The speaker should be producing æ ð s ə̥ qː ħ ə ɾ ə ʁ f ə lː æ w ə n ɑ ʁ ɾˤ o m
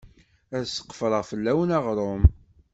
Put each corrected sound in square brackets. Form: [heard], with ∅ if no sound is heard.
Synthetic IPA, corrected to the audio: æ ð s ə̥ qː [f] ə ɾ ə ʁ f ə lː æ w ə n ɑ ʁ ɾˤ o m